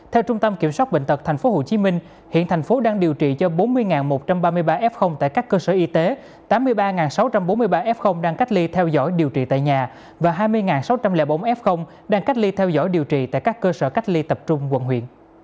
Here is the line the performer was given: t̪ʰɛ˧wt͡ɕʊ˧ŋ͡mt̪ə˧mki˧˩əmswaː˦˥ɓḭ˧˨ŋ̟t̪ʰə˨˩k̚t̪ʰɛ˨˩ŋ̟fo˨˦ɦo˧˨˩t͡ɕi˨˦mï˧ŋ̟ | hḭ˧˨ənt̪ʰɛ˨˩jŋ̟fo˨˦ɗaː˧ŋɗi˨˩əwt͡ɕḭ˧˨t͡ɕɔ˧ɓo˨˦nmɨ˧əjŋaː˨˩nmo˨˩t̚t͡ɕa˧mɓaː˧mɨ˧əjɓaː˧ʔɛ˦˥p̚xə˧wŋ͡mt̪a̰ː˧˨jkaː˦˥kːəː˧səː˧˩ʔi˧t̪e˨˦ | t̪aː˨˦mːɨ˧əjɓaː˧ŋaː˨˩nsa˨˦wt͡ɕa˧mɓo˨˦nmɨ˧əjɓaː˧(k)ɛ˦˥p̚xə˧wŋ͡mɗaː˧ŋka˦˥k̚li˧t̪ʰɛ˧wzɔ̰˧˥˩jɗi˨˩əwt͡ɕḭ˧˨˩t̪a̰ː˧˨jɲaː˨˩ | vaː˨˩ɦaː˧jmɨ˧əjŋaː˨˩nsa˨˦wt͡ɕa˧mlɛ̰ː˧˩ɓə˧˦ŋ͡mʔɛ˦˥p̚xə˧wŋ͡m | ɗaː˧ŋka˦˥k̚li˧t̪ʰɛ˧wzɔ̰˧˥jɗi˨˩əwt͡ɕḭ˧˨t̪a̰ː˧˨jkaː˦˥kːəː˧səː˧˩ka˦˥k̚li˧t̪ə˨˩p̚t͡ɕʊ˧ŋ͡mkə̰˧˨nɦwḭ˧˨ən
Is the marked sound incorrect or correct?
incorrect